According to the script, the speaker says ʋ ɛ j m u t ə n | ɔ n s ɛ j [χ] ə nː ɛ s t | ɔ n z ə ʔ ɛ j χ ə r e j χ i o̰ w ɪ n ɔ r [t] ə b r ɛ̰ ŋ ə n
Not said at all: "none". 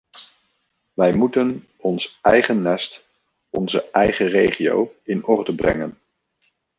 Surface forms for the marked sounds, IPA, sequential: χ, d

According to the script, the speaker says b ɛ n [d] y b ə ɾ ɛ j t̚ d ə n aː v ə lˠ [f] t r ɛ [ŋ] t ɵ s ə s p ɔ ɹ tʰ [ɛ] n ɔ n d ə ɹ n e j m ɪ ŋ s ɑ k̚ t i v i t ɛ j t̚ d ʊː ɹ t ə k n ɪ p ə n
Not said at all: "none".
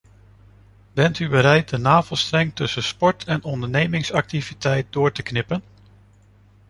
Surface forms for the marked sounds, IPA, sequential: t, s, ŋ, ɛ

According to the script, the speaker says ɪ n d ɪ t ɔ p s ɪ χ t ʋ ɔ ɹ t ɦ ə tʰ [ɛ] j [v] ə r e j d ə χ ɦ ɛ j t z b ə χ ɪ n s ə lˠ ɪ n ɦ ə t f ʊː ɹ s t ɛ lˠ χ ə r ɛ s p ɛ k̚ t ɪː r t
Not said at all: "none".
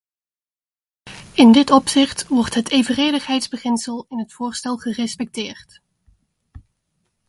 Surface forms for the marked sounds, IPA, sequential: e, v

